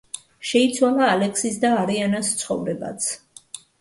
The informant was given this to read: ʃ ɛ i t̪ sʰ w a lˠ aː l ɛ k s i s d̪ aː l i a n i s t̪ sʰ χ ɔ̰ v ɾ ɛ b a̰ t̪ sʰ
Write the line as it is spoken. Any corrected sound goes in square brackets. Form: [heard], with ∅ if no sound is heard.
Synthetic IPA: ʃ ɛ i t̪ sʰ w a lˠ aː l ɛ k s i s d̪ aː [ɾ] i a n [a] s t̪ sʰ χ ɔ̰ v ɾ ɛ b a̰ t̪ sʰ